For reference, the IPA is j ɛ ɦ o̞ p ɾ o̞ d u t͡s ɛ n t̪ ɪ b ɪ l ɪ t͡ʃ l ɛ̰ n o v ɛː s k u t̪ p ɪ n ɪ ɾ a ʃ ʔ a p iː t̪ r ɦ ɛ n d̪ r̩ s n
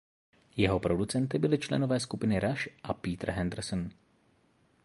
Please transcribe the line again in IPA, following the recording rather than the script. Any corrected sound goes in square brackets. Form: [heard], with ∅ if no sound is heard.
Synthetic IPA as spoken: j ɛ ɦ o̞ p ɾ o̞ d u t͡s ɛ n t̪ ɪ b ɪ l ɪ t͡ʃ l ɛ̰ n o v ɛː s k u [∅] p ɪ n ɪ ɾ a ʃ ʔ a p iː t̪ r ɦ ɛ n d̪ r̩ s n